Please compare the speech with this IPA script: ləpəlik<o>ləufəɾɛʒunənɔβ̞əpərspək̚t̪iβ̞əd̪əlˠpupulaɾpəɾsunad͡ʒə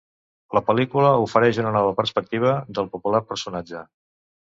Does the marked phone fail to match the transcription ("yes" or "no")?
yes